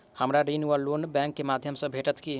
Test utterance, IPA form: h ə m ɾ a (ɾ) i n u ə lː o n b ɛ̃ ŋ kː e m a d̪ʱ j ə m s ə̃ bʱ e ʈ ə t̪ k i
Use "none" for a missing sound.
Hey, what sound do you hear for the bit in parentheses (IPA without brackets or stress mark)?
ɾ